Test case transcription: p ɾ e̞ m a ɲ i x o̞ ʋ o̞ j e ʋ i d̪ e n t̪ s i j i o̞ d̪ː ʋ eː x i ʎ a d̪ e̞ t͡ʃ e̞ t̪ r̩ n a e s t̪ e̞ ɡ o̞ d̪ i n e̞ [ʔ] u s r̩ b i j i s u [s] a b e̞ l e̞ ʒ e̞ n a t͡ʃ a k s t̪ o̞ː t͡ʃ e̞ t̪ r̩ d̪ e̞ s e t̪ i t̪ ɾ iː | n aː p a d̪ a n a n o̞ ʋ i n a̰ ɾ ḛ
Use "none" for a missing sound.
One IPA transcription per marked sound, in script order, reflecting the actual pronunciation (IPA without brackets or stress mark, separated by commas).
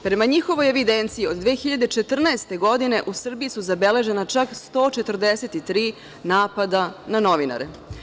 ʔ, z